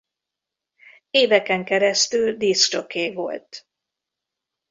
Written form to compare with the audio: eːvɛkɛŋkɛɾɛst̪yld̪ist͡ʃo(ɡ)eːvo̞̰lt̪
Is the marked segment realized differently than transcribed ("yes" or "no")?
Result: yes